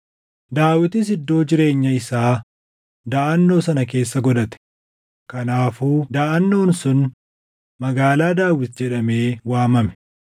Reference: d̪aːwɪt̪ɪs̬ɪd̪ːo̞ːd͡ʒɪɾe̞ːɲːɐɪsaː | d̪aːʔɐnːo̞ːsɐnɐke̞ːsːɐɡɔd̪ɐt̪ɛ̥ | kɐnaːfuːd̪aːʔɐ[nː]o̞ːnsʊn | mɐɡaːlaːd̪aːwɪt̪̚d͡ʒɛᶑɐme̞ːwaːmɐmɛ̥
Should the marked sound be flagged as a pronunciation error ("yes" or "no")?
no